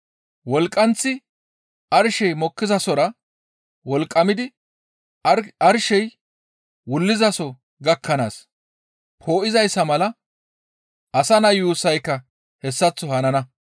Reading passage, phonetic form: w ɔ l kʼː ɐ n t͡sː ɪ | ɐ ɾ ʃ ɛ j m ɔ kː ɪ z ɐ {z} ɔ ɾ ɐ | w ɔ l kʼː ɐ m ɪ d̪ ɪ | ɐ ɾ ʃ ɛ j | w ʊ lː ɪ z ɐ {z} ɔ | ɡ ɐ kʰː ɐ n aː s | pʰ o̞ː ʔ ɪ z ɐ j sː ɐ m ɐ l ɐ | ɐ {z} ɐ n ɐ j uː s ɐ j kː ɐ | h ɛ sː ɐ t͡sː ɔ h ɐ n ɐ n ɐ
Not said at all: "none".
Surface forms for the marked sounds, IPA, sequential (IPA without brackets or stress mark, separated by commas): s, s, s